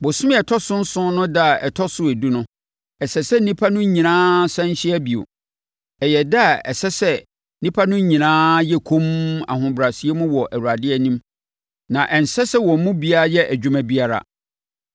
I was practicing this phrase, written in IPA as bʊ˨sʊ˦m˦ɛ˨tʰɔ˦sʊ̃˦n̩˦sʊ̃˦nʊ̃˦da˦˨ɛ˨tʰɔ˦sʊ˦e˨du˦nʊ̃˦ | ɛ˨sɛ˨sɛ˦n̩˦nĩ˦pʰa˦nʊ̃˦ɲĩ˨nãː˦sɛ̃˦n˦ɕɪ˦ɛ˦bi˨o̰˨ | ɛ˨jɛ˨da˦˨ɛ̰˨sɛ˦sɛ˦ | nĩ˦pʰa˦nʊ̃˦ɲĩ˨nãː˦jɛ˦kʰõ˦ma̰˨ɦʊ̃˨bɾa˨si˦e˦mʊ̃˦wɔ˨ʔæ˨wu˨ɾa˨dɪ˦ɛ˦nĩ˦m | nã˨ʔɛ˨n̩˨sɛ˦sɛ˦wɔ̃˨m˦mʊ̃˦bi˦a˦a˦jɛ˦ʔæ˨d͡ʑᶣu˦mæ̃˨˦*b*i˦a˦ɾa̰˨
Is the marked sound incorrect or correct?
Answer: correct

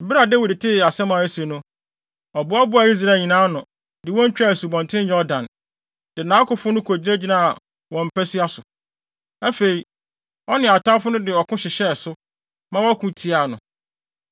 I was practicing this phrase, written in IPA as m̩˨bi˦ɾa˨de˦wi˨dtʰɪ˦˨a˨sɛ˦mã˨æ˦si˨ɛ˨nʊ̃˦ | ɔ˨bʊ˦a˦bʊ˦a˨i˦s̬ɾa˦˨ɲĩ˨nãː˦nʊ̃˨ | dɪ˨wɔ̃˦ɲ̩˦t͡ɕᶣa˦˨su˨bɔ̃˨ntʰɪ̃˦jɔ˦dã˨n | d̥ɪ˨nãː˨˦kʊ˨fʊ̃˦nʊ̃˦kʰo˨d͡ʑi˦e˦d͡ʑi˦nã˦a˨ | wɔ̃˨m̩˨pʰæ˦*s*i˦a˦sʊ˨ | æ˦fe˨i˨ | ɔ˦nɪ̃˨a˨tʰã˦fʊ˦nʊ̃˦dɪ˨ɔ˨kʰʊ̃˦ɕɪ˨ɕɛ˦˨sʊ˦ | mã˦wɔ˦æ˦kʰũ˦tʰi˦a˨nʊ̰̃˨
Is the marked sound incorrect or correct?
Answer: correct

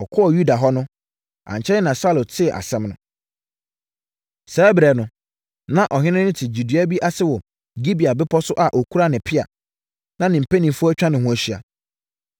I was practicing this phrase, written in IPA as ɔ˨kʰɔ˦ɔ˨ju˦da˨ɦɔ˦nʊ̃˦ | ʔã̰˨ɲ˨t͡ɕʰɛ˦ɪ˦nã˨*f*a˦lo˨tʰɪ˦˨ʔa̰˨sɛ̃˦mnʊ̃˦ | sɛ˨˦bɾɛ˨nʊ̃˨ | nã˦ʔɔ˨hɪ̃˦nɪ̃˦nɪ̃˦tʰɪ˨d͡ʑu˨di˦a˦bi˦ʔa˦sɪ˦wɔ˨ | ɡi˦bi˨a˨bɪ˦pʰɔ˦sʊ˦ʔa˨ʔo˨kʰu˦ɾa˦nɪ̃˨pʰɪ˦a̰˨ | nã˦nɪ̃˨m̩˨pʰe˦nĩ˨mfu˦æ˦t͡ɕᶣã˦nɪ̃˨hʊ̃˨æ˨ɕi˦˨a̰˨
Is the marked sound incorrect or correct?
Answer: incorrect: s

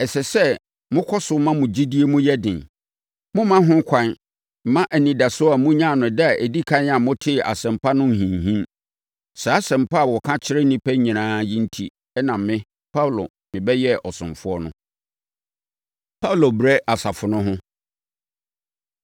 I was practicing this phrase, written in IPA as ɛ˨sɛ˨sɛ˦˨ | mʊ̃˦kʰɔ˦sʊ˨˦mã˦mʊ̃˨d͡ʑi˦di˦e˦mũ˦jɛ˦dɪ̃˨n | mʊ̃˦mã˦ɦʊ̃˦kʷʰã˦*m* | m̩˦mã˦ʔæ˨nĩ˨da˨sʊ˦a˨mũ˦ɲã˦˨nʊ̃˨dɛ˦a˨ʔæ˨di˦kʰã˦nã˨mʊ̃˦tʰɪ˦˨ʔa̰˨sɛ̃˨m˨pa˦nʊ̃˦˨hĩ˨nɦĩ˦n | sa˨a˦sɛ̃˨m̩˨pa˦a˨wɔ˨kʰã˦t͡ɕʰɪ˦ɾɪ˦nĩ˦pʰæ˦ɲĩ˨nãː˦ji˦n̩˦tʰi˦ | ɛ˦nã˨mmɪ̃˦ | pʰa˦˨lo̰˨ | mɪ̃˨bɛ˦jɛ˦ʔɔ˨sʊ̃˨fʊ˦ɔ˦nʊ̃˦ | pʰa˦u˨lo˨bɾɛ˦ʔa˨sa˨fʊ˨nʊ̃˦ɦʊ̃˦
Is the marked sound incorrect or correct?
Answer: incorrect: n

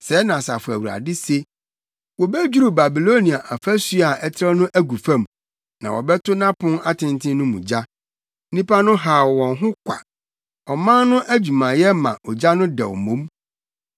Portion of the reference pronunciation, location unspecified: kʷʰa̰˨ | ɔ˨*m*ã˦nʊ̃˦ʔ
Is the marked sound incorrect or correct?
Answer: correct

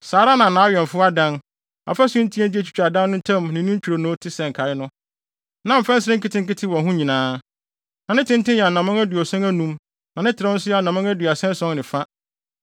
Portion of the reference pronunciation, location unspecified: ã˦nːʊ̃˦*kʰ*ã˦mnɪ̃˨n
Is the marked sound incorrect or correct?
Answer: incorrect: tʰ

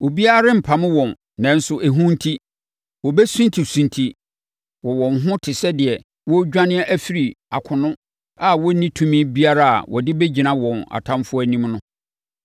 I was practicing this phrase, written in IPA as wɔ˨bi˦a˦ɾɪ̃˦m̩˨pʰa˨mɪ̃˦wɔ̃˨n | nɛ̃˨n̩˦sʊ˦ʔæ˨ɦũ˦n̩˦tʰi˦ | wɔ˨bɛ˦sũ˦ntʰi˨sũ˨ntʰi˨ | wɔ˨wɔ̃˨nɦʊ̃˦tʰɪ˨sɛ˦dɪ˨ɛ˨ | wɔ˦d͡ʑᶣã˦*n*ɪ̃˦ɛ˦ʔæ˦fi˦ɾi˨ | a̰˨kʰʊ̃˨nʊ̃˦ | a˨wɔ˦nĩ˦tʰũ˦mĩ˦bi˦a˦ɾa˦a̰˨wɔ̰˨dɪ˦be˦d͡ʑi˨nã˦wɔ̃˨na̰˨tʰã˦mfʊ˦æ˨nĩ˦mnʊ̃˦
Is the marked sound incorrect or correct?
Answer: correct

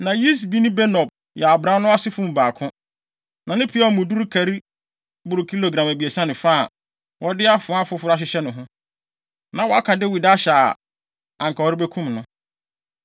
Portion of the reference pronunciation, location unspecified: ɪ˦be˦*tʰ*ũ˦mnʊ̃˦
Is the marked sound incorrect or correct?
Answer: incorrect: kʰ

